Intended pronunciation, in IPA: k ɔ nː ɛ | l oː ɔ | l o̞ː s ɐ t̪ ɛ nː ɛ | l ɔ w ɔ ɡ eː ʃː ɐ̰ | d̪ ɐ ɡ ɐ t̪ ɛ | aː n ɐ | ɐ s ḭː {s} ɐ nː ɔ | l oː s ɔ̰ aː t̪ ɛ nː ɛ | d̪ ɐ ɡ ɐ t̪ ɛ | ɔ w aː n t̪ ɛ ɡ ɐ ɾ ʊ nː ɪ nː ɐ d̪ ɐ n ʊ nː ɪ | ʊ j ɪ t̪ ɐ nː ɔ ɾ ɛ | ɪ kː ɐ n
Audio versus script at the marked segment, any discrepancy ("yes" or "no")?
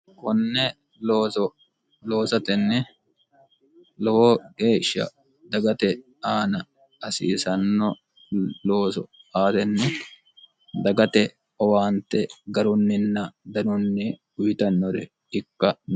no